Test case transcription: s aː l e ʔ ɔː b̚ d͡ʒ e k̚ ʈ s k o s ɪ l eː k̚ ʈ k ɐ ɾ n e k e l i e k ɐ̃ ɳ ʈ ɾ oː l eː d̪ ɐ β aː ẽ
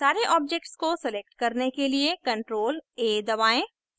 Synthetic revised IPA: s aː ɾ e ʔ ɔː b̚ d͡ʒ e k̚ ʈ s k o s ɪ l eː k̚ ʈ k ɐ ɾ n e k e l i e k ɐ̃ ɳ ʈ ɾ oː l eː d̪ ɐ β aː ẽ